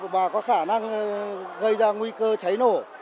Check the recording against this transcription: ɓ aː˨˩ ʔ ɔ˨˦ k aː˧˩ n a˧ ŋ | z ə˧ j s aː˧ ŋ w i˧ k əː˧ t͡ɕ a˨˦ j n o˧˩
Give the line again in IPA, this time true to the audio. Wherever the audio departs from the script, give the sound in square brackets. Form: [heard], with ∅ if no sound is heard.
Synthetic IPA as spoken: ɓ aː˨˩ [k] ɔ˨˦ [x] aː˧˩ n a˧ ŋ | [ɣ] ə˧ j [z] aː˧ ŋ w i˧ k əː˧ t͡ɕ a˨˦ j n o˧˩